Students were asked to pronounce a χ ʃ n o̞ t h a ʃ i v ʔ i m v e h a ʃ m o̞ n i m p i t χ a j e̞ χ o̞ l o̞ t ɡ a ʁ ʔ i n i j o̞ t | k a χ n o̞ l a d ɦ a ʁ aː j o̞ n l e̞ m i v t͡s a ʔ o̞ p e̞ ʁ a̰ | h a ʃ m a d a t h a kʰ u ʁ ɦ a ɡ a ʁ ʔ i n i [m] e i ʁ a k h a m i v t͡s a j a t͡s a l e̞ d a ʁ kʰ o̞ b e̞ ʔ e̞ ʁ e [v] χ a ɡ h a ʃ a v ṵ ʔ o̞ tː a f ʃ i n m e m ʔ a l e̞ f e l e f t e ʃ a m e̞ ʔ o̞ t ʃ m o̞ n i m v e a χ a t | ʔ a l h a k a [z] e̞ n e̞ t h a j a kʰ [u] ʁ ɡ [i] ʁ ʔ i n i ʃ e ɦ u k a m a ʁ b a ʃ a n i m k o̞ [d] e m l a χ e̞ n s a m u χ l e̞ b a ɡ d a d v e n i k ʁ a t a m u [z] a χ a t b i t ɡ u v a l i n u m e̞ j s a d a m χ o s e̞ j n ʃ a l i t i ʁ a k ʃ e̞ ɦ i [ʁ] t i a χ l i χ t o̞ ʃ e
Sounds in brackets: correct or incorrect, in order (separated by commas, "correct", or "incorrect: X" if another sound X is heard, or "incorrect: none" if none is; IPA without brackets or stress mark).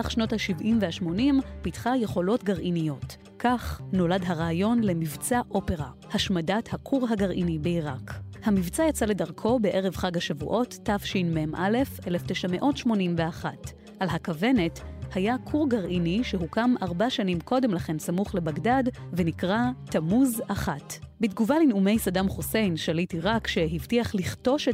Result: incorrect: b, correct, incorrect: v, correct, incorrect: a, correct, correct, incorrect: v